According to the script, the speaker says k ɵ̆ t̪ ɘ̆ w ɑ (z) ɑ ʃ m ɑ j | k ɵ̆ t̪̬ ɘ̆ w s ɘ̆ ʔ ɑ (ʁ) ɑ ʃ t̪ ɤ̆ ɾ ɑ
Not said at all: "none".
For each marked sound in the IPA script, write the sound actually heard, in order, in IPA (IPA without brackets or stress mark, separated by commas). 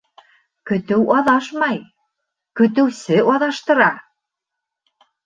ð, ð